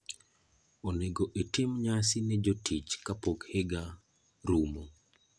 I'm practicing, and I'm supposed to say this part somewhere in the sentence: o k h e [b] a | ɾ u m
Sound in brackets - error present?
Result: yes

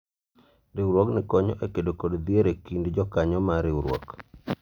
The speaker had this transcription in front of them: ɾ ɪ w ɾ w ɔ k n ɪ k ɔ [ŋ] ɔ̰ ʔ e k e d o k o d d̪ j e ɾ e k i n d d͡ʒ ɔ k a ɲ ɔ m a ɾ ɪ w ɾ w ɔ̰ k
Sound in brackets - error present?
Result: yes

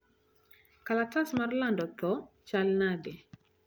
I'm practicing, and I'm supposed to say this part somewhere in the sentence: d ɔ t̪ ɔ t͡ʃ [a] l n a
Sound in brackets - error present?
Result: no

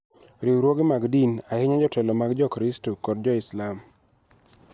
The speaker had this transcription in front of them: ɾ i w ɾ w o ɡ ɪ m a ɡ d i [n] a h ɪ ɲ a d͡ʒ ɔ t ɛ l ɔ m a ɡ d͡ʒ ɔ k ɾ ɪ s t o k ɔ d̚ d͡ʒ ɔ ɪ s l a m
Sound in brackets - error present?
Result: no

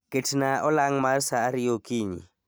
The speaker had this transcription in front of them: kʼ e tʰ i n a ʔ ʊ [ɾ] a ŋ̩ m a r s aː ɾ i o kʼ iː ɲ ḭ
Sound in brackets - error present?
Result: yes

